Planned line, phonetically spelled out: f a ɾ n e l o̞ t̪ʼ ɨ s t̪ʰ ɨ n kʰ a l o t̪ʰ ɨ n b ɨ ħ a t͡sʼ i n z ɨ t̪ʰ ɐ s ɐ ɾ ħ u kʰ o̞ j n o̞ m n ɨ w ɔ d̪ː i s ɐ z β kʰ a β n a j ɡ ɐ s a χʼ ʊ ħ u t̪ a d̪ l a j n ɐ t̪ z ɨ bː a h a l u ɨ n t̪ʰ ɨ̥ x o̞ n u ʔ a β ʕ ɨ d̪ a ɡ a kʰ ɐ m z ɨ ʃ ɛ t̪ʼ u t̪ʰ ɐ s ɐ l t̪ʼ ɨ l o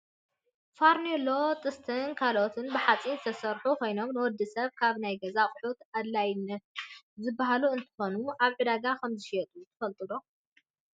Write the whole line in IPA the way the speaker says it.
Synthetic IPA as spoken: f a ɾ n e l o̞ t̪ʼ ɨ s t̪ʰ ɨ n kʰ a l o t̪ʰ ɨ n b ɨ ħ a t͡sʼ i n z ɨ t̪ʰ ɐ s ɐ ɾ ħ u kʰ o̞ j n o̞ m n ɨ w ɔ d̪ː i s ɐ β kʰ a β n a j ɡ ɐ z a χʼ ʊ ħ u t̪ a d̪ l a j n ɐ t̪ z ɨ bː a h a l u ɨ n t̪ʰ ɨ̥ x o̞ n u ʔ a β ʕ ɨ d̪ a ɡ a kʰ ɐ m z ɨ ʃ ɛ t̪ʼ u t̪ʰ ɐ f ɐ l t̪ʼ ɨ l o